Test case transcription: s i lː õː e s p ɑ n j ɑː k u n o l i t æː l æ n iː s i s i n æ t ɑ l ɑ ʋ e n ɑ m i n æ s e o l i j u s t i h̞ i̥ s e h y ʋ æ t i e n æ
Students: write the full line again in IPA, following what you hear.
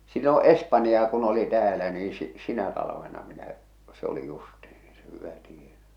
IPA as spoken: s i lː õː e s p ɑ n j ɑː k u n o l i t æː l æ n iː s i s i n æ t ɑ l ɑ ʋ e n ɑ m i n æ s e o l i j u s t i h̞ i̥ s e h y ʋ æ t i e n æ